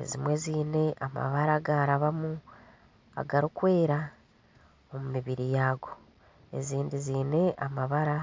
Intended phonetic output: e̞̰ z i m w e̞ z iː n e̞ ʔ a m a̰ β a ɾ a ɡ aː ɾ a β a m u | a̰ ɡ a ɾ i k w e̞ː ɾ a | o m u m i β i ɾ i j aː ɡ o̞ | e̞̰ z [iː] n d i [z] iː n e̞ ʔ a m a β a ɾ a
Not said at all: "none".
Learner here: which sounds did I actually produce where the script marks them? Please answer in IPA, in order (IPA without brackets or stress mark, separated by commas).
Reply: iː, z